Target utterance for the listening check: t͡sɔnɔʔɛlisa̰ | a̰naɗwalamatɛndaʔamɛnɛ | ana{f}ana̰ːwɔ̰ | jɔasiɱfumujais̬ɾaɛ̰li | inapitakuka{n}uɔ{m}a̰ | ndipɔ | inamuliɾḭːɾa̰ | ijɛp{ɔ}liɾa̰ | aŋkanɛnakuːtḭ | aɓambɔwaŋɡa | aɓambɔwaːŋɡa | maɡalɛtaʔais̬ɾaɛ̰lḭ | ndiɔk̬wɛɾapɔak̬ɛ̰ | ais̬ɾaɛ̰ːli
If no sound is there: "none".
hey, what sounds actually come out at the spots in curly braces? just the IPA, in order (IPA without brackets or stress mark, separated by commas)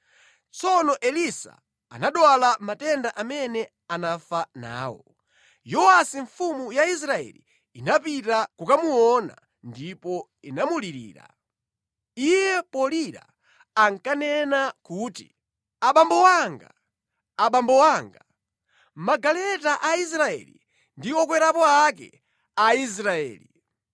f, m, n, ɔ